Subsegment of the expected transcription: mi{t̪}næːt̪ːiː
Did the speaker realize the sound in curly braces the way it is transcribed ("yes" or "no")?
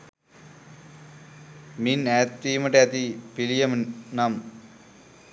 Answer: no